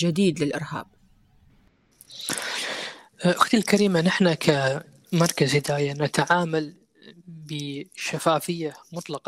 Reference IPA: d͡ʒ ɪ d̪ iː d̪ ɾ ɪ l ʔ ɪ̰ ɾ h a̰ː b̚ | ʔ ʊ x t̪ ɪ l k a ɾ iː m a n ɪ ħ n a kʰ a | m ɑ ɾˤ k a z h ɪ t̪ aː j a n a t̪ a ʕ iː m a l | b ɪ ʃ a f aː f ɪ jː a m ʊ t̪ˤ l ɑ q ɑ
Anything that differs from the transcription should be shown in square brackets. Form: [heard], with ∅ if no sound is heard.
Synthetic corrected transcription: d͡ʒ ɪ d̪ iː d̪ [l] ɪ l ʔ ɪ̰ ɾ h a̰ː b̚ | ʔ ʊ x t̪ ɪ l k a ɾ iː m a n ɪ ħ n a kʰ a | m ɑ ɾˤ k a z h ɪ [d̪] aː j a n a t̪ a ʕ [aː] m a l | b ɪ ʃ a f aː f ɪ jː a m ʊ t̪ˤ l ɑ q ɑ